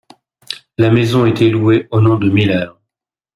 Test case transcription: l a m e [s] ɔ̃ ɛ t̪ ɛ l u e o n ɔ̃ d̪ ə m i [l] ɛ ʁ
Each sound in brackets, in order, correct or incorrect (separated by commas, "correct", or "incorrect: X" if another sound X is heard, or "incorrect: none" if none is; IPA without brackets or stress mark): incorrect: z, correct